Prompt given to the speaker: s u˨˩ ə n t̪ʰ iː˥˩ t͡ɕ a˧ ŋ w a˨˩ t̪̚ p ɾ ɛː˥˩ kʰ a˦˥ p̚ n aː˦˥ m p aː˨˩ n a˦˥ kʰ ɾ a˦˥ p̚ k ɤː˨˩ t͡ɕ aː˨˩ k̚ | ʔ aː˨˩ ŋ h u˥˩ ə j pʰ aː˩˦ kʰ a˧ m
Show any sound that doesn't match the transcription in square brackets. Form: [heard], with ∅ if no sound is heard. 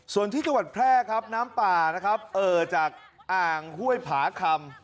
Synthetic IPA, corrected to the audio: s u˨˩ ə n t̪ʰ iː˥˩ t͡ɕ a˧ ŋ w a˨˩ t̪̚ [pʰ] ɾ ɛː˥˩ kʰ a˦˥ p̚ n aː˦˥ m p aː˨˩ n a˦˥ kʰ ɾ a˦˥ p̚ [ʔ] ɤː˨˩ t͡ɕ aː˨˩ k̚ | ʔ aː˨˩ ŋ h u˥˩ ə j pʰ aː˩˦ kʰ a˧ m